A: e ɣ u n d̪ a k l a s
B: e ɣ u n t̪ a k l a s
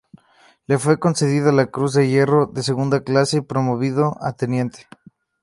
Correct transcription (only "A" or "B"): A